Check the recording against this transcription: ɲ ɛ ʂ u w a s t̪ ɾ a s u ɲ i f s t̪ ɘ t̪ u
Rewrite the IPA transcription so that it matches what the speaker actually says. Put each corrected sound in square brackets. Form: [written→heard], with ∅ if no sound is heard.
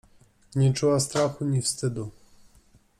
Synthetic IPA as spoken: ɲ ɛ [ʂ→t͡ʂ] u w a s t̪ ɾ a [s→x] u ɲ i f s t̪ ɘ [t̪→d̪] u